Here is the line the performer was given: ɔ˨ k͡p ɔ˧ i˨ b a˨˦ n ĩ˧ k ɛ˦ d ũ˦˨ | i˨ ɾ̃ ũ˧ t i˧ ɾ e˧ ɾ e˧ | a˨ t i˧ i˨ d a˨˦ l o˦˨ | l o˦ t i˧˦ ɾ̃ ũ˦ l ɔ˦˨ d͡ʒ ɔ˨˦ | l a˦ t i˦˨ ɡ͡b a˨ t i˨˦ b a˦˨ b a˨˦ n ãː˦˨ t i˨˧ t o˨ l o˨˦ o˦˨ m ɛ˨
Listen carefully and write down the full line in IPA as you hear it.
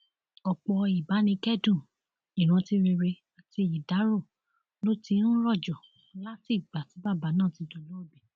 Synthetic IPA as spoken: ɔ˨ k͡p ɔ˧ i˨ b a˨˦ n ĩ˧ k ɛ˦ d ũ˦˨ | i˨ ɾ̃ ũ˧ t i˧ ɾ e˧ ɾ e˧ | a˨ t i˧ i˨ d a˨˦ ɾ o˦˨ | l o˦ t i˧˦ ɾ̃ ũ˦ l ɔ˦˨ d͡ʒ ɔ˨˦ | l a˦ t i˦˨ ɡ͡b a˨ t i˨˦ b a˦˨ b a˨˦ n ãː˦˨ t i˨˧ t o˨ l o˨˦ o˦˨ b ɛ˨